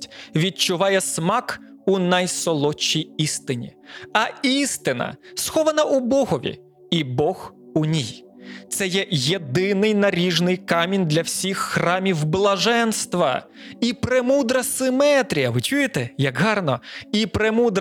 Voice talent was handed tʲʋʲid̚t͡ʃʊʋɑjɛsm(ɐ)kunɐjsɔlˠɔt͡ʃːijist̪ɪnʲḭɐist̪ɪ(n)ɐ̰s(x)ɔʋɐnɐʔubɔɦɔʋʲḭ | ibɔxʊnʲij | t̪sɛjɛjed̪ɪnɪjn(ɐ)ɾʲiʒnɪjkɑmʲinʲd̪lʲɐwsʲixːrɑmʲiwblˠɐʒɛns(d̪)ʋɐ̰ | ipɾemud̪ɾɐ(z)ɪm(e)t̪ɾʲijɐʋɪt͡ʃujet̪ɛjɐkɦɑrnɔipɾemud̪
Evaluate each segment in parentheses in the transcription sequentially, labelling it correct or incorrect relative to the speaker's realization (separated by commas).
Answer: incorrect, correct, correct, correct, incorrect, incorrect, incorrect